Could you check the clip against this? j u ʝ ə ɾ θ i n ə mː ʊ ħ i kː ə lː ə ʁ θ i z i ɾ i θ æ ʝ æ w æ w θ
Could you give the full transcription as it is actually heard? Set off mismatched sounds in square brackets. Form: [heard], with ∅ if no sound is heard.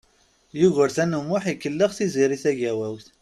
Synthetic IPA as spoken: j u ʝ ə ɾ θ [æ] n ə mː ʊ ħ i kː ə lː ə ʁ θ i z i ɾ i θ æ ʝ æ w æ w θ